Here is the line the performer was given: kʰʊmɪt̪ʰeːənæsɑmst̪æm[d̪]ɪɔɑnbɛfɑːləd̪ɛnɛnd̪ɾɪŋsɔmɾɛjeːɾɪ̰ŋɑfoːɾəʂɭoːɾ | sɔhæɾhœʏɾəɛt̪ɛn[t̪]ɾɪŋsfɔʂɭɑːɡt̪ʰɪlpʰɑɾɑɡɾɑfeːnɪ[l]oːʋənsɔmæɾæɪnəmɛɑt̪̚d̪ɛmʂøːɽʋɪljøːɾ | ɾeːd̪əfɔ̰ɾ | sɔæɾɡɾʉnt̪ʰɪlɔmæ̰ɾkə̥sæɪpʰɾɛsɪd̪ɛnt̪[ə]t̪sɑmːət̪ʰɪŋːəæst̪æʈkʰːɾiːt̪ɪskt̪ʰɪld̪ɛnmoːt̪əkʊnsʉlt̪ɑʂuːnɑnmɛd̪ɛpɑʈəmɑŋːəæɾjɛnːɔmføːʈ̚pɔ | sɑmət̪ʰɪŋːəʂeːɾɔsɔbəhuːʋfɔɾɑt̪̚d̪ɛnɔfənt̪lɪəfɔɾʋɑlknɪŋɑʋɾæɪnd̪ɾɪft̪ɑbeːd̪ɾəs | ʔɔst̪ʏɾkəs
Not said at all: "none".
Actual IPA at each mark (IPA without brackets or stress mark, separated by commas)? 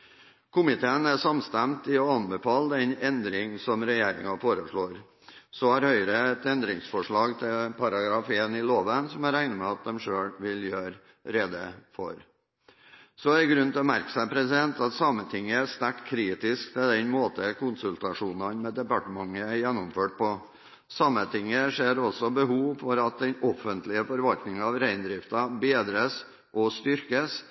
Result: t̪, d̪, l, ɑ